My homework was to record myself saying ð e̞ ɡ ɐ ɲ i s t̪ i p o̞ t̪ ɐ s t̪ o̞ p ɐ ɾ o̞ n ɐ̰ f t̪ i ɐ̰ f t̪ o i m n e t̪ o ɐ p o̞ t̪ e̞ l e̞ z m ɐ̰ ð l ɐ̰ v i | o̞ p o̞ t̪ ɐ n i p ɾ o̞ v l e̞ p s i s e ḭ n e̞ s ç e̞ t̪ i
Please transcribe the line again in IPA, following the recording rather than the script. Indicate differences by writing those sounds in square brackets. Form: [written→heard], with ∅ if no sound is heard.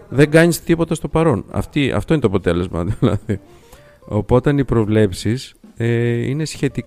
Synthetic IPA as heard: ð e̞ ɡ ɐ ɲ i s t̪ i p o̞ t̪ ɐ s t̪ o̞ p ɐ ɾ o̞ n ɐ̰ f t̪ i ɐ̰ f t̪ o i [m→∅] n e t̪ o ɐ p o̞ t̪ e̞ l e̞ z m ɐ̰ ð l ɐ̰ [v→ð] i | o̞ p o̞ t̪ ɐ n i p ɾ o̞ v l e̞ p s i s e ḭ n e̞ s ç e̞ t̪ i